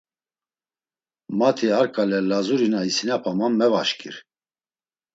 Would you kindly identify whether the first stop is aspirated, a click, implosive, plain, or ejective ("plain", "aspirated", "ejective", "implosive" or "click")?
aspirated